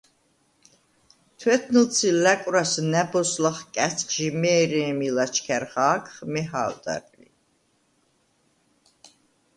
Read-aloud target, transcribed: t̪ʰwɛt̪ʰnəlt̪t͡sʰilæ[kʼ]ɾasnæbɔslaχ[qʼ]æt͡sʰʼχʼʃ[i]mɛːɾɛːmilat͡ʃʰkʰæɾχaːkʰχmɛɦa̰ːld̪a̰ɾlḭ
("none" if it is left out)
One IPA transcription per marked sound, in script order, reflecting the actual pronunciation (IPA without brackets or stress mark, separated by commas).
kʼ, kʼ, i